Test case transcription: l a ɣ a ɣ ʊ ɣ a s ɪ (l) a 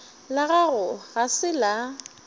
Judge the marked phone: correct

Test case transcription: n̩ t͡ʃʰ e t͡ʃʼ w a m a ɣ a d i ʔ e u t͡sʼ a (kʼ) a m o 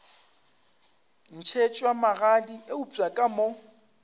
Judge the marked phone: correct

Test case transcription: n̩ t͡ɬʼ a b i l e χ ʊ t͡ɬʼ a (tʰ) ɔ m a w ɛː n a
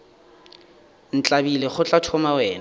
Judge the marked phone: correct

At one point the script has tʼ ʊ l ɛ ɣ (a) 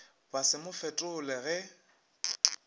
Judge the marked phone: incorrect: ɛ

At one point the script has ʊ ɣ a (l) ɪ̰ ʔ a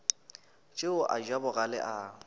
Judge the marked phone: correct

